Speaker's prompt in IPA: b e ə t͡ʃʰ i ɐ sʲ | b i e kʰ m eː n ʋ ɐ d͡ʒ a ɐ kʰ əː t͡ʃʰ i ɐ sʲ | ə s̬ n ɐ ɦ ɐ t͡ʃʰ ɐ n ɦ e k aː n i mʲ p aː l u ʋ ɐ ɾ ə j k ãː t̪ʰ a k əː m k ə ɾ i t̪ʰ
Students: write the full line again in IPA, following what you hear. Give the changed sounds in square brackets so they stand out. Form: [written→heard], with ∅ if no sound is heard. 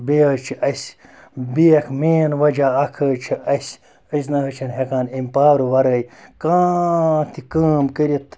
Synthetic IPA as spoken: b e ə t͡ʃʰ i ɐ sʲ | b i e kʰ m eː n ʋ ɐ d͡ʒ a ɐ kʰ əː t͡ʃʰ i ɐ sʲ | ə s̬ n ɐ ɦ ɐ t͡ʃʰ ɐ n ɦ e k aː n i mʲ p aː [l→ɾ] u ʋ ɐ ɾ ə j k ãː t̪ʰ [a→i] k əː m k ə ɾ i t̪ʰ